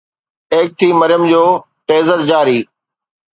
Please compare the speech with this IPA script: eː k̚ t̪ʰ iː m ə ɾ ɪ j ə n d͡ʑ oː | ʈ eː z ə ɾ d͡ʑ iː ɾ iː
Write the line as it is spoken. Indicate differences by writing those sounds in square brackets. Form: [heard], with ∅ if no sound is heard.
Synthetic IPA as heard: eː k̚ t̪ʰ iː m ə ɾ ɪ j ə [m] d͡ʑ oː | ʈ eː z ə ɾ d͡ʑ [aː] ɾ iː